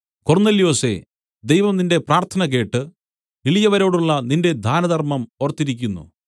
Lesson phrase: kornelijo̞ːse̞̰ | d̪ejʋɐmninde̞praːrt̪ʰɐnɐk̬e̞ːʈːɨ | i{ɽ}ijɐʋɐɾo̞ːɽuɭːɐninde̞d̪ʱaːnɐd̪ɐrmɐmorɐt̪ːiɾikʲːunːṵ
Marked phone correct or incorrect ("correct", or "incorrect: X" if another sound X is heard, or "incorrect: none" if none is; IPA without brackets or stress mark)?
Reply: incorrect: ɭ